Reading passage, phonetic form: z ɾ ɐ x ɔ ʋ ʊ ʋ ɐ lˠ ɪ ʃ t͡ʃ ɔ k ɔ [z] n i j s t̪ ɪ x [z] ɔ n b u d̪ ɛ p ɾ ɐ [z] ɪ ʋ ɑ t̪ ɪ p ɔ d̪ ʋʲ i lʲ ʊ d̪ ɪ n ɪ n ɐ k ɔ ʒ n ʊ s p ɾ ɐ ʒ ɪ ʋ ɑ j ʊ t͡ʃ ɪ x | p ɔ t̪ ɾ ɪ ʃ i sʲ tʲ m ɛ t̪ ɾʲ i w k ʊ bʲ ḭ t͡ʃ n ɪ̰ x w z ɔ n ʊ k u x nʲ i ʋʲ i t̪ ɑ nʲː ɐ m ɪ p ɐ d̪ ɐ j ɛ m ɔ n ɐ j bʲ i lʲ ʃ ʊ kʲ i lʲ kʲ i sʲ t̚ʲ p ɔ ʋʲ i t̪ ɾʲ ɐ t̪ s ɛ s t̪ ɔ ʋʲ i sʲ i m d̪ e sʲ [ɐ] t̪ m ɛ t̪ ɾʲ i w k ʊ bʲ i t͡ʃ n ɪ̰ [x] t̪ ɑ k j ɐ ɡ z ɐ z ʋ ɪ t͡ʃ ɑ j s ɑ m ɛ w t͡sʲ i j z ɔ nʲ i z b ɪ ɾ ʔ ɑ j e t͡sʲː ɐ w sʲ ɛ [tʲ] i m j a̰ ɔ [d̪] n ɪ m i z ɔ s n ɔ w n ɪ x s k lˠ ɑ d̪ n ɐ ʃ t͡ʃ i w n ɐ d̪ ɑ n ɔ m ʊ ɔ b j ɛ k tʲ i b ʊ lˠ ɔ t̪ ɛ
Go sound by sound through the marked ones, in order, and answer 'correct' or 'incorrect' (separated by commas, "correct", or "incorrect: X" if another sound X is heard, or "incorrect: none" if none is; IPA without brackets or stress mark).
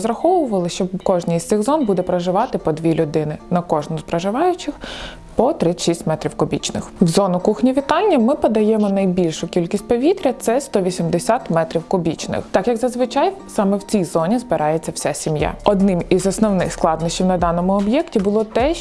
incorrect: ʒ, correct, incorrect: ʒ, incorrect: a, correct, incorrect: sʲ, correct